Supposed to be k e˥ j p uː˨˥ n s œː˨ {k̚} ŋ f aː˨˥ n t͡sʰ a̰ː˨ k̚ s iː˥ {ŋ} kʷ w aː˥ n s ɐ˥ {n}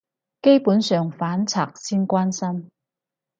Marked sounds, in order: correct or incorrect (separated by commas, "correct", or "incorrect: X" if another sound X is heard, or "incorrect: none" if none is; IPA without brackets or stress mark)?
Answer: incorrect: none, incorrect: n, incorrect: m